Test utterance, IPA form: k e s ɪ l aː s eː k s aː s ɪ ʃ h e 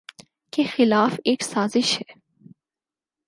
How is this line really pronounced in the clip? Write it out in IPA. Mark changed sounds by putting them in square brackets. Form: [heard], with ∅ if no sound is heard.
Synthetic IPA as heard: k e [x] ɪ l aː [f] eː k s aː [z] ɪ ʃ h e